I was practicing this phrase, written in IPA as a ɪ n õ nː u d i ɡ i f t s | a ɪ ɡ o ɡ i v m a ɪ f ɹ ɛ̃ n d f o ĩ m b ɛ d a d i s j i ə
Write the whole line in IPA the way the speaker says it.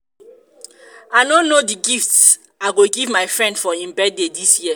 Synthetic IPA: a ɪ n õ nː o d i ɡ i f t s | a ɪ ɡ o ɡ i v m a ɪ f ɹ ɛ̃ n d f ɔ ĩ m b ɛ d e d i s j i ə